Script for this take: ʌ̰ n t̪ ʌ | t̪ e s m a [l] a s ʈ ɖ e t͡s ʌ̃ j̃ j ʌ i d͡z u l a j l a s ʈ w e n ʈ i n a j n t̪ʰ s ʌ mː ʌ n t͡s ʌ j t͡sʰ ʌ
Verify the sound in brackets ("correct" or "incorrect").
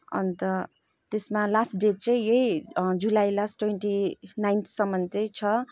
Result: correct